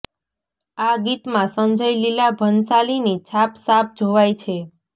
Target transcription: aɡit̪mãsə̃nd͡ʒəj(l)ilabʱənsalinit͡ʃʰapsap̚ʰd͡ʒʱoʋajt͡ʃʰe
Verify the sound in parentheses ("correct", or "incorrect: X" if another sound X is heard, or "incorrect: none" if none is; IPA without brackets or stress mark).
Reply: correct